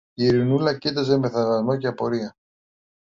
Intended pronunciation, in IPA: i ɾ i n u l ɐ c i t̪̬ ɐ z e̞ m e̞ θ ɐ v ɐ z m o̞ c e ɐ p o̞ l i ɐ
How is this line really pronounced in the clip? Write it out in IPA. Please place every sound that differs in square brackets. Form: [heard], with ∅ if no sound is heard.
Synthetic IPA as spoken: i ɾ i n u l ɐ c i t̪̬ ɐ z e̞ m e̞ θ ɐ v ɐ z m o̞ c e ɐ p o̞ [ɾ] i ɐ